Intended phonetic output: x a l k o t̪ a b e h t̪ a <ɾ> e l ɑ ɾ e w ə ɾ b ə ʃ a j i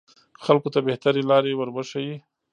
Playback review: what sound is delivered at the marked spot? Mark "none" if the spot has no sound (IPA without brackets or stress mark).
ɾ